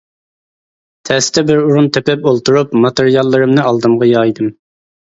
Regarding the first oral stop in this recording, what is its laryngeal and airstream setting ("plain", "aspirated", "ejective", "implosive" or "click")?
aspirated